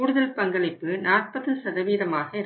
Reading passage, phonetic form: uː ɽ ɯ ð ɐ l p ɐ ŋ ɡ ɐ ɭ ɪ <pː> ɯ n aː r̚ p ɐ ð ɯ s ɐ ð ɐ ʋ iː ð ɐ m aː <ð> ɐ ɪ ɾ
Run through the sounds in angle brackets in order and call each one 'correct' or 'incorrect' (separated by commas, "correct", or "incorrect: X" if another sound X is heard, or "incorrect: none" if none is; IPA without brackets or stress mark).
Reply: correct, incorrect: ɣ